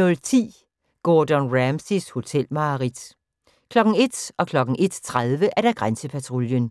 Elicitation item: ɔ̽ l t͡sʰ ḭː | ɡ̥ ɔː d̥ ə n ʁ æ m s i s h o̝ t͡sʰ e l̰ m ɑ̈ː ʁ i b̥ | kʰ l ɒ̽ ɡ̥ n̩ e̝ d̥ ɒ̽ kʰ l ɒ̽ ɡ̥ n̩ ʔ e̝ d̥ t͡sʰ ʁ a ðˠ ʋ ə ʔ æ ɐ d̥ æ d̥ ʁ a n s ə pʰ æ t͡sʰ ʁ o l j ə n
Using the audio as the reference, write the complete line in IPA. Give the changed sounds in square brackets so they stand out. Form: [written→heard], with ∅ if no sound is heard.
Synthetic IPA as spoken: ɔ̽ l t͡sʰ ḭː | ɡ̥ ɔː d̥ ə n ʁ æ m s i s h o̝ t͡sʰ e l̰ m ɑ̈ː ʁ i [b̥→d̥] | kʰ l ɒ̽ ɡ̥ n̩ e̝ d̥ ɒ̽ kʰ l ɒ̽ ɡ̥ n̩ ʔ e̝ d̥ t͡sʰ ʁ a ðˠ ʋ ə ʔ æ ɐ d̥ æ [d̥→ɡ̥] ʁ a n s ə pʰ æ t͡sʰ ʁ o l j ə n